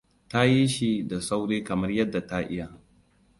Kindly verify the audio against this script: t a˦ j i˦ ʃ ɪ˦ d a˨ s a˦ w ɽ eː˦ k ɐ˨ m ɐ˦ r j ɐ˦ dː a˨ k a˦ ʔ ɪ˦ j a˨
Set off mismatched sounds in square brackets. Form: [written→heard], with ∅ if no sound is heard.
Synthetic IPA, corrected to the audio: t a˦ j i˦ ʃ [ɪ˦→i˦] d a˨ s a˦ w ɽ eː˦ k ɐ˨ m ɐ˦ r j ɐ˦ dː a˨ [k→t] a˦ ʔ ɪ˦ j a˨